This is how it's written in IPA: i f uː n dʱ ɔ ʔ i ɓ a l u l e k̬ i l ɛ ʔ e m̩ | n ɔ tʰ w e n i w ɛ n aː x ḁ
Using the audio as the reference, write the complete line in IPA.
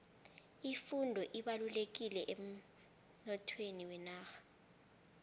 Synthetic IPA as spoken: i f u n dʱ ɔ ʔ i ɓ a l u l e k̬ i l ɛ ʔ e m̩ | n ɔ tʰ w e n i w ɛ n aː x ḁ